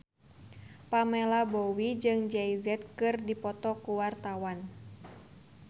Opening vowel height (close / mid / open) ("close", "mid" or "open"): open